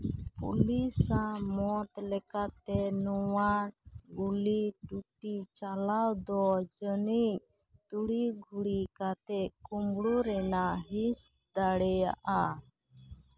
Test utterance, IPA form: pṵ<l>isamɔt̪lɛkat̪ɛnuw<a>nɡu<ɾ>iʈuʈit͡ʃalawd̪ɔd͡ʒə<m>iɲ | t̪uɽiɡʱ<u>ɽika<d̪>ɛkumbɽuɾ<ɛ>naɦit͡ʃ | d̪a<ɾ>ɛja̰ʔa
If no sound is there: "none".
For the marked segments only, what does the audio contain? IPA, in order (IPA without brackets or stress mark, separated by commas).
l, a, l, n, u, t̪, ɛ, ɽ